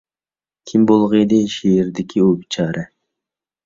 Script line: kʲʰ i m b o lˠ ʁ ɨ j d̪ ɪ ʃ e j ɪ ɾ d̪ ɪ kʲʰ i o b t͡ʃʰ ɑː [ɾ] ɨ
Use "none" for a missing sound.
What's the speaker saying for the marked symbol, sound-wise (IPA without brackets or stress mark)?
ɾ